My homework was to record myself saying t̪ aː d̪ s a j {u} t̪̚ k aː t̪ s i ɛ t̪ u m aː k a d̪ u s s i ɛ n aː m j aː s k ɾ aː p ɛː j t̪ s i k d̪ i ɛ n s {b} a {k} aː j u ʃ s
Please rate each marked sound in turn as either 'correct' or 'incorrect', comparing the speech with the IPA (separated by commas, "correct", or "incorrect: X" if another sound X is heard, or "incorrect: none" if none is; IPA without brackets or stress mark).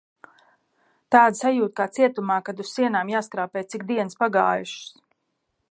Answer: incorrect: uː, incorrect: p, incorrect: ɡ